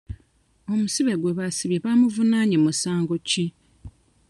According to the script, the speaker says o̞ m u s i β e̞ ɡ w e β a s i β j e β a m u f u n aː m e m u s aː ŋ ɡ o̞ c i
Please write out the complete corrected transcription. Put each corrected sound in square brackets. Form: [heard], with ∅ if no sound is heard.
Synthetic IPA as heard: o̞ m u s i β e̞ ɡ w e β a s i β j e β a m u [v] u n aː [ɲ] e m u s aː ŋ ɡ o̞ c i